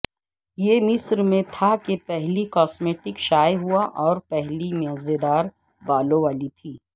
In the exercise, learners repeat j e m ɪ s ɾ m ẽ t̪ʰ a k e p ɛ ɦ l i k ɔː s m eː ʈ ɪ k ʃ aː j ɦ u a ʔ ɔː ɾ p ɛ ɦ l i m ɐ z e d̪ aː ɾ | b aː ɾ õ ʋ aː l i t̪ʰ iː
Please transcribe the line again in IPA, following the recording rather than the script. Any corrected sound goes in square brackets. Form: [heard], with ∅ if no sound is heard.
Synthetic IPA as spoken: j e m ɪ s ɾ m ẽ t̪ʰ a k e p ɛ ɦ l i k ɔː s m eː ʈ ɪ k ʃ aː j ɦ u a ʔ ɔː ɾ p ɛ ɦ l i m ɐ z e d̪ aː ɾ | b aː [l] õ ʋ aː l i t̪ʰ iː